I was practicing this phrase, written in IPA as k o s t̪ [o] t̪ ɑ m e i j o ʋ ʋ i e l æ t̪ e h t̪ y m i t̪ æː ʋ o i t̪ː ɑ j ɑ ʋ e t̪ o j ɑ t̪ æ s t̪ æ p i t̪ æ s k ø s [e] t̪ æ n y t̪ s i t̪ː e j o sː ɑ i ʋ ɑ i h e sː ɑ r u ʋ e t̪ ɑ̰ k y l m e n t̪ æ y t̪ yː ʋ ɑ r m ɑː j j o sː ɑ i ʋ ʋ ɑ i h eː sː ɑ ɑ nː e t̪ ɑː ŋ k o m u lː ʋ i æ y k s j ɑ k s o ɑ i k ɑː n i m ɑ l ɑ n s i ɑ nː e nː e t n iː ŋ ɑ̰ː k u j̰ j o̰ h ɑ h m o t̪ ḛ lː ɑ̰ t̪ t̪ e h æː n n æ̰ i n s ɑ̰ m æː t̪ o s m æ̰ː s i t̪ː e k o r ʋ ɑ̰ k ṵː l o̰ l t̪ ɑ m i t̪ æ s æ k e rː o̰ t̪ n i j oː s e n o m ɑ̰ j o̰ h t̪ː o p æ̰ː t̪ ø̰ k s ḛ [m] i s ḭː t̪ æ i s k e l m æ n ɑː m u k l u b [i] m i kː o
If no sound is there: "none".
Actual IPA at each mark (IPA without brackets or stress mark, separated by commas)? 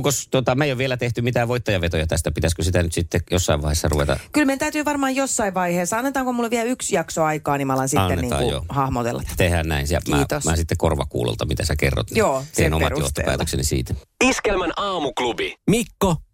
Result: o, i, n, i